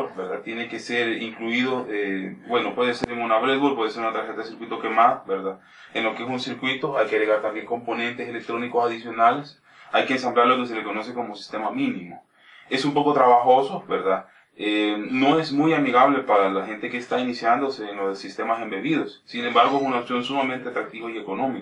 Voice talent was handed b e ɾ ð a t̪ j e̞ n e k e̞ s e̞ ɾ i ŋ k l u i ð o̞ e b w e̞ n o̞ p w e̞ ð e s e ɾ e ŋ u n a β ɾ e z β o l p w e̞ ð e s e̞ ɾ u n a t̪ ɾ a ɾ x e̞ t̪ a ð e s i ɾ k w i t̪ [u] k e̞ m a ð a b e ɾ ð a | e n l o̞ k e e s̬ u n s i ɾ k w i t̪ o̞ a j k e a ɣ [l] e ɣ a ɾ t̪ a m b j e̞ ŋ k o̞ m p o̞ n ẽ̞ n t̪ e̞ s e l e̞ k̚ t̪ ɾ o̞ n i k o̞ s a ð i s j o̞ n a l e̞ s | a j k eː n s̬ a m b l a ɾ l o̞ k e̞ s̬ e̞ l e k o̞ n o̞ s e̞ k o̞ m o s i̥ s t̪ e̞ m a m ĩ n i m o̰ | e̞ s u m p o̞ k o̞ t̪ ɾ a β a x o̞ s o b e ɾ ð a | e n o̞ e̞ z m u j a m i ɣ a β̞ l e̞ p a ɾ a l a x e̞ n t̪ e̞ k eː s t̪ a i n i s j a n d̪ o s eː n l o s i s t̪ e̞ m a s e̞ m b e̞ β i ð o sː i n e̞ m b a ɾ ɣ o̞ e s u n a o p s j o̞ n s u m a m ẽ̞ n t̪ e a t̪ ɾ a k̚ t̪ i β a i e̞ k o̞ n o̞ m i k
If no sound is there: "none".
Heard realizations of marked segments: o, ɾ

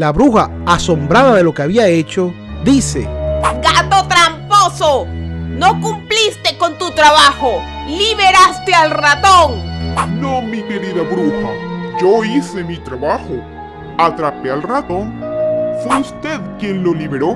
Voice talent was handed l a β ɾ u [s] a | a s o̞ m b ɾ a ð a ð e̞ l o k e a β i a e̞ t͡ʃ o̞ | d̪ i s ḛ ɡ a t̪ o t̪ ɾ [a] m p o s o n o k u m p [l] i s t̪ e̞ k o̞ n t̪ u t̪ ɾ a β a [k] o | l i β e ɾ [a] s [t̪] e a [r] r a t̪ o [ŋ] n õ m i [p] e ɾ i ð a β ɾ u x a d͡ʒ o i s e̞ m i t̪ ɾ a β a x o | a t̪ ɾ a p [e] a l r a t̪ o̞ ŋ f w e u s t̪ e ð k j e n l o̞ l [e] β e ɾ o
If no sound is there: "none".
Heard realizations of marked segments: x, a, l, x, a, t̪, l, ŋ, k, e, i

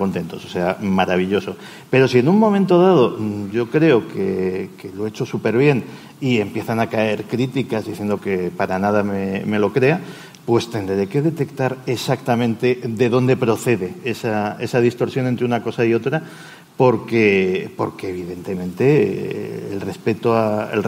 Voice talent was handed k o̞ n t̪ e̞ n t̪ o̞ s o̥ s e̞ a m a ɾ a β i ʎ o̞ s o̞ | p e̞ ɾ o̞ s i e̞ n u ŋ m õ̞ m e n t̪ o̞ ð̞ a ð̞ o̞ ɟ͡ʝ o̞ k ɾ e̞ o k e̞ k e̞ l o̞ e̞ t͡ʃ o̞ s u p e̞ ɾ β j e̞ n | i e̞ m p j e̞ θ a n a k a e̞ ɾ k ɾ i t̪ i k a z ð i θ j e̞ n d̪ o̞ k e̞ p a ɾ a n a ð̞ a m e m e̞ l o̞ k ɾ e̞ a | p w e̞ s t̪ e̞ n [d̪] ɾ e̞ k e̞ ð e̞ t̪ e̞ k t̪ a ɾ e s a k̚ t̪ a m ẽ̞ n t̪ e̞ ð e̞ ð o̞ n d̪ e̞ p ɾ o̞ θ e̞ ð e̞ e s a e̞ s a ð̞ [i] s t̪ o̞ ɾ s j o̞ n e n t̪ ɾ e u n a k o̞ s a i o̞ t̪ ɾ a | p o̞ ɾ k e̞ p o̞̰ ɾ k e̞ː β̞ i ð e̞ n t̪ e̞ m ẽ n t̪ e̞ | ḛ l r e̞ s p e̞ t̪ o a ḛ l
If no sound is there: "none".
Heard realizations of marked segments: d̪, i

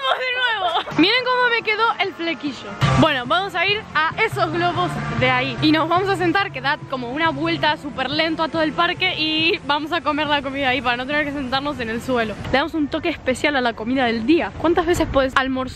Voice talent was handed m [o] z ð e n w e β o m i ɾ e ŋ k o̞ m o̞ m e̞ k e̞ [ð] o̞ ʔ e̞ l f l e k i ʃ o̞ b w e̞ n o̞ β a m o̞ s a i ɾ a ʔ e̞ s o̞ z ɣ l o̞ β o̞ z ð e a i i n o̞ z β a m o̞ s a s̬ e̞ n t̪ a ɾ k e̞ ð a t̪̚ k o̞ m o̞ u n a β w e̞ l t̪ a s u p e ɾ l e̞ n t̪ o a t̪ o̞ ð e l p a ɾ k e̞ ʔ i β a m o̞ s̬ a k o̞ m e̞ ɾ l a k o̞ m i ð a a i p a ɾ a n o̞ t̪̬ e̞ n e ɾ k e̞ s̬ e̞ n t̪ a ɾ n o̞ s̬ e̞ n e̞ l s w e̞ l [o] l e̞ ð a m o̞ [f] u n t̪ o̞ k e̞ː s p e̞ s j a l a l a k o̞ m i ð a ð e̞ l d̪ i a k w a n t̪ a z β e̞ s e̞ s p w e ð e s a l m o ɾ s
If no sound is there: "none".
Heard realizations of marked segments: o, ð, o, s

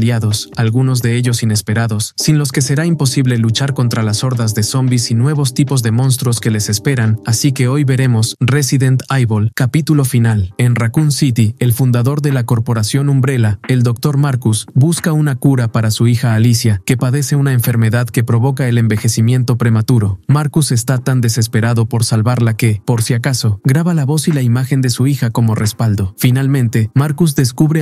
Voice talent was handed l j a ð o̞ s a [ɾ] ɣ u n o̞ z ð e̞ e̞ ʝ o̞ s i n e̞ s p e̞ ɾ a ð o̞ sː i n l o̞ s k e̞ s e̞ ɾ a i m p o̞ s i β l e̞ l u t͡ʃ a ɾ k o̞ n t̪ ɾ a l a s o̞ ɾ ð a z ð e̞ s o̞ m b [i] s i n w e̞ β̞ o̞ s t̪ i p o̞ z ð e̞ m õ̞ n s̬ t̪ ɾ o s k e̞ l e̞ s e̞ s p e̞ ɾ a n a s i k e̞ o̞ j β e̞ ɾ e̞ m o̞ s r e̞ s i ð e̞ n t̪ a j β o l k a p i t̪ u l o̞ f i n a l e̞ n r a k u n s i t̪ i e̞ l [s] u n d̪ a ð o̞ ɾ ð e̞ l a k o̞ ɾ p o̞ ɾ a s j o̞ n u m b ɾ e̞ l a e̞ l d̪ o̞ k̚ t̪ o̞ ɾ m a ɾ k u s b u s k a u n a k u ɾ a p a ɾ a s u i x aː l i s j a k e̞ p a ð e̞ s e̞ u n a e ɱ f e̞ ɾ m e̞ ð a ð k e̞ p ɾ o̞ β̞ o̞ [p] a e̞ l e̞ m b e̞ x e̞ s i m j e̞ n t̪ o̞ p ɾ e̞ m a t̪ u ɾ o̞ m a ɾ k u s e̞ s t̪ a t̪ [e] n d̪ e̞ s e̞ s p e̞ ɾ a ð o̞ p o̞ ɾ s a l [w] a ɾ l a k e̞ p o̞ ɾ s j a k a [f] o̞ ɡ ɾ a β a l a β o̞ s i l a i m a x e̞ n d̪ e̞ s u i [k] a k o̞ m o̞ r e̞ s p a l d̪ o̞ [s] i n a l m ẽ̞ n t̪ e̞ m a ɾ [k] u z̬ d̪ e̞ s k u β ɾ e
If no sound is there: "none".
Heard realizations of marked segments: l, i, f, k, a, β, s, x, f, k

